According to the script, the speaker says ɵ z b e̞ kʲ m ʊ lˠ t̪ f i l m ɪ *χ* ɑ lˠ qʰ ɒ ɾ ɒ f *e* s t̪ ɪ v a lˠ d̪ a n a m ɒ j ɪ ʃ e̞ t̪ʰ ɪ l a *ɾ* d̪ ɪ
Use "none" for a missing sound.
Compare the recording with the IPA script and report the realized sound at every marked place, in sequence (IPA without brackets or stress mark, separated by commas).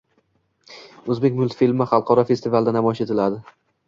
χ, e, none